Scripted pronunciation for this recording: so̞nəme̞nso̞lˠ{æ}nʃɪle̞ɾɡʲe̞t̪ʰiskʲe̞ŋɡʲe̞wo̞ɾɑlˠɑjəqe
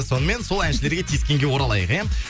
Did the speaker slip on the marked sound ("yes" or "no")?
no